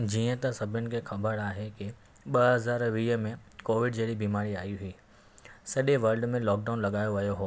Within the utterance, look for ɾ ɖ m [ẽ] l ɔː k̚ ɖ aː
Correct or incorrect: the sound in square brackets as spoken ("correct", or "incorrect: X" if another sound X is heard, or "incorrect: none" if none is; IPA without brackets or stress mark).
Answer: correct